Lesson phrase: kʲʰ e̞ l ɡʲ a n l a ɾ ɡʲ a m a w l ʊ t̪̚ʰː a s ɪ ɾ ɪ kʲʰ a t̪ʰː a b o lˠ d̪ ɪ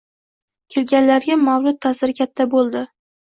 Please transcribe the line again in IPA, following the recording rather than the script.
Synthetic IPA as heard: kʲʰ e̞ l ɡʲ a n l a ɾ ɡʲ a m a w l ʊ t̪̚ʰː a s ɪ ɾ ɪ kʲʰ a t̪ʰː a b o lˠ d̪ ɪ